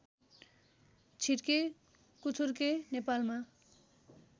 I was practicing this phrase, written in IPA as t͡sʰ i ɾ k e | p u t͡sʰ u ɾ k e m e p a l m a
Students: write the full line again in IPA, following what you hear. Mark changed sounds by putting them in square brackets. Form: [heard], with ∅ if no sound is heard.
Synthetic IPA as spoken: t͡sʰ i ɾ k e | [k] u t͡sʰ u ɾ k e [n] e p a l m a